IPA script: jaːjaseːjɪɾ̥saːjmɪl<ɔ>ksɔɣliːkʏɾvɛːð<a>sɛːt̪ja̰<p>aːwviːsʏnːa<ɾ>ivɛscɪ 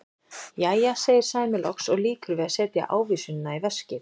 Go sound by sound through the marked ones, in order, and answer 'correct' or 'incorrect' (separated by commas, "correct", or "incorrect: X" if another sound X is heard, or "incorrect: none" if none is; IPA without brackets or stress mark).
correct, correct, incorrect: ʔ, incorrect: none